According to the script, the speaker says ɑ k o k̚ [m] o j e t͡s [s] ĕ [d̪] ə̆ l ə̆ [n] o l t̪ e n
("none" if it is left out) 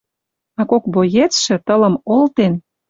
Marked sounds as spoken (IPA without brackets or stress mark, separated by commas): b, ʃ, t̪, m